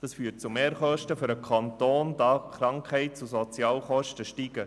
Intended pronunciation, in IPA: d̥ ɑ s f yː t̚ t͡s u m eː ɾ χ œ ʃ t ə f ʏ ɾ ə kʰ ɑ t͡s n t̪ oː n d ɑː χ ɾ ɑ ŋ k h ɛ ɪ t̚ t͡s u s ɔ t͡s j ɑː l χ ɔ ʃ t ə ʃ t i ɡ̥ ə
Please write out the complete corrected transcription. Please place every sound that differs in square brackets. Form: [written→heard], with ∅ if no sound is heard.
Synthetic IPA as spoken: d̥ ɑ s f yː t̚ t͡s u m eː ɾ χ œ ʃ t ə f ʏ ɾ ə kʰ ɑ [t͡s→∅] n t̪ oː n d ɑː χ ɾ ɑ ŋ k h ɛ ɪ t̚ t͡s u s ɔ t͡s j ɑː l χ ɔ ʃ t ə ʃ t i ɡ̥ ə